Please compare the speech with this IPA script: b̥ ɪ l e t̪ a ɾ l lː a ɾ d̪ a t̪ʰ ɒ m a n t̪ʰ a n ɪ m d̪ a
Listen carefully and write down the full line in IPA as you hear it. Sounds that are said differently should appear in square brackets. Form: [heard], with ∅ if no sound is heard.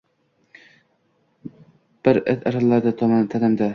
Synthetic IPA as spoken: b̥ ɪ [ɾ] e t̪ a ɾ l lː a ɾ d̪ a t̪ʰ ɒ m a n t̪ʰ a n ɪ m d̪ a